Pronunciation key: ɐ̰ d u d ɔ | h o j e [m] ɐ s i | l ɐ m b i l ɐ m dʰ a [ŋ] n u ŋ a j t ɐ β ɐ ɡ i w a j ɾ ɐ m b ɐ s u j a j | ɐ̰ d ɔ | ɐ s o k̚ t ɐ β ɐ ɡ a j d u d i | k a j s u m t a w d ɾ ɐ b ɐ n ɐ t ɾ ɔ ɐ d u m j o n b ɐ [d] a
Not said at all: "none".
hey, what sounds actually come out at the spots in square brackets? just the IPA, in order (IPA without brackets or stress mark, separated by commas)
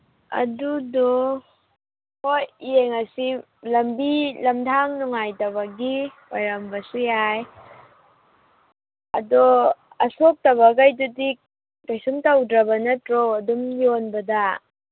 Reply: ŋ, ŋ, d